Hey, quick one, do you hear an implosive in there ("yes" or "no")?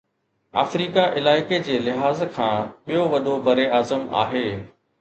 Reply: yes